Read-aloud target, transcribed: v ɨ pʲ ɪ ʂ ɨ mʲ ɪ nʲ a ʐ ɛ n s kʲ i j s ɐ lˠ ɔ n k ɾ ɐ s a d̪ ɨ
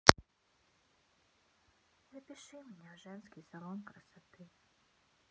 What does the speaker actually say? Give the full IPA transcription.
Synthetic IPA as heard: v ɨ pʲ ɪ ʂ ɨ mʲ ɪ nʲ a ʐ ɛ n s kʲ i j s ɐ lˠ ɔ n k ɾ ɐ s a t̪ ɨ